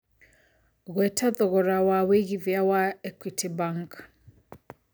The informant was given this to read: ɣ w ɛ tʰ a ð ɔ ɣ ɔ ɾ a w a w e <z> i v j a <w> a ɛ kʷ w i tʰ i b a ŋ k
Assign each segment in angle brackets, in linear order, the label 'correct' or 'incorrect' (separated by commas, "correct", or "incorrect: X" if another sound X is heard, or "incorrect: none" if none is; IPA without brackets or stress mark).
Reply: incorrect: ɣ, correct